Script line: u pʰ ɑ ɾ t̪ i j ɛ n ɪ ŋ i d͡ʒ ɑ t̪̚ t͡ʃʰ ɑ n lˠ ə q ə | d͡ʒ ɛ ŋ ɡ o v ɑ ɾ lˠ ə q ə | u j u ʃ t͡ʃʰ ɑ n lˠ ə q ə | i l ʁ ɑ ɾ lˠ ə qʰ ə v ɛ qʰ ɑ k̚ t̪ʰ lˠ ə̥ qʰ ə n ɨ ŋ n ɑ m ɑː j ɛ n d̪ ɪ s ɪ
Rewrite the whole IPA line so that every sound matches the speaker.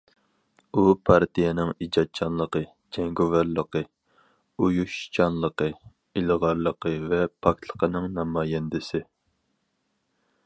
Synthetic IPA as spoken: u pʰ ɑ ɾ t̪ i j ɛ n ɪ ŋ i d͡ʒ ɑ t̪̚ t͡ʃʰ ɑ n lˠ ə q ə | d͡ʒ ɛ ŋ ɡ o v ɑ ɾ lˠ ə q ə | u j u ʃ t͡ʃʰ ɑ n lˠ ə q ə | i l ʁ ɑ ɾ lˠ ə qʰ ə v ɛ pʰ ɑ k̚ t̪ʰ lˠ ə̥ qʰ ə n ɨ ŋ n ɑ m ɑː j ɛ n d̪ ɪ s ɪ